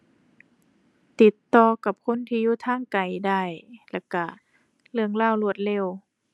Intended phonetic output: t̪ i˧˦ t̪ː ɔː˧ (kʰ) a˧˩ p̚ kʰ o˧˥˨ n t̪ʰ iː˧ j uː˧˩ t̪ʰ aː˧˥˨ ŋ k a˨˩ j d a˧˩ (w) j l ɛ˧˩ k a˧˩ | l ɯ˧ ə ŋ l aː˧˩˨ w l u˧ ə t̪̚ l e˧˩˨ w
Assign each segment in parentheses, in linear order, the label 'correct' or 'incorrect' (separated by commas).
incorrect, incorrect